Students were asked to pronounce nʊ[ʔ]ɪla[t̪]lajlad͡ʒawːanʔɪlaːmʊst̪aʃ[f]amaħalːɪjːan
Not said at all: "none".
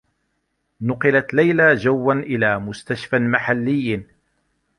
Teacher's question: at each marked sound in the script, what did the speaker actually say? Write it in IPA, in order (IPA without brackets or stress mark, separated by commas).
q, t̪, f